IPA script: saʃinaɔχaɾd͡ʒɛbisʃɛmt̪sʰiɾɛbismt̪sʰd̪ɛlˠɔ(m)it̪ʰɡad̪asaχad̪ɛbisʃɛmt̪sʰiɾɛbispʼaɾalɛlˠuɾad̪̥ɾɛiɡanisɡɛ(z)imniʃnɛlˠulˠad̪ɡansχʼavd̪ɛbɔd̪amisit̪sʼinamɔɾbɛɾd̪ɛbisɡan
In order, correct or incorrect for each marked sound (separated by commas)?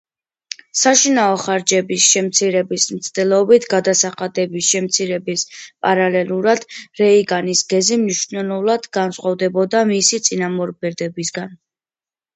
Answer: incorrect, correct